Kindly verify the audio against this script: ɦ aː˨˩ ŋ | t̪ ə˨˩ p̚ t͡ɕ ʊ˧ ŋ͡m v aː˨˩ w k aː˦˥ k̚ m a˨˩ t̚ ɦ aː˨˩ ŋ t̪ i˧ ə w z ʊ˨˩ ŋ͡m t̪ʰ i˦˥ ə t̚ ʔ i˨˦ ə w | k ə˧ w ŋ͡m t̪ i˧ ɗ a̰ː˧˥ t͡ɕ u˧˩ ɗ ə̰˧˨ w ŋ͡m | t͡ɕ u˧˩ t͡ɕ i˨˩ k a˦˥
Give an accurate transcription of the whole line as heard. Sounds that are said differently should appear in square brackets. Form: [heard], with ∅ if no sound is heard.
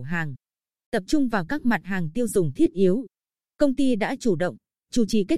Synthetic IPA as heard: ɦ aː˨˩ ŋ | t̪ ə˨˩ p̚ t͡ɕ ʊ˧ ŋ͡m v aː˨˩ w k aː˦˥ k̚ m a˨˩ t̚ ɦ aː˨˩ ŋ t̪ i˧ ə w z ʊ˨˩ ŋ͡m t̪ʰ i˦˥ ə t̚ ʔ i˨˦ ə w | k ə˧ w ŋ͡m t̪ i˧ ɗ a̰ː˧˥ t͡ɕ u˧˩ ɗ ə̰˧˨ w ŋ͡m | t͡ɕ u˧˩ t͡ɕ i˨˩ k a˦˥